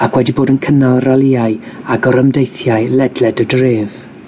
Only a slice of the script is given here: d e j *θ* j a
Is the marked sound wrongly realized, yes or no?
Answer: no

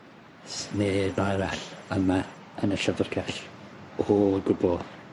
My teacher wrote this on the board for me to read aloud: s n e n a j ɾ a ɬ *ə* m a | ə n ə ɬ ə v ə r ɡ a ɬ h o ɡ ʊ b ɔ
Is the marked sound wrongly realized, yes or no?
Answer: no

